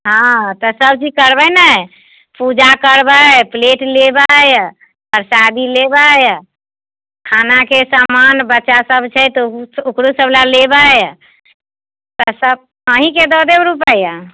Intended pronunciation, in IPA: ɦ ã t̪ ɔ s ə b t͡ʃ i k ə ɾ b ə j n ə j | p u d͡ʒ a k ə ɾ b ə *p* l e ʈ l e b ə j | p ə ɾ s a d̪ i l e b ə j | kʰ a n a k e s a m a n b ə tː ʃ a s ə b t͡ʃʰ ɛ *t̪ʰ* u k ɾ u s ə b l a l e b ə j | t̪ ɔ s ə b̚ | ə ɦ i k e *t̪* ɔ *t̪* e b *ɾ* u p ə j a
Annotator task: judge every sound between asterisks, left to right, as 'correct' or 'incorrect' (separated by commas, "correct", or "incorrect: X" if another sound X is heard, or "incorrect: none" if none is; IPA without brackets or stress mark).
correct, incorrect: t̪, incorrect: d̪, incorrect: d̪, correct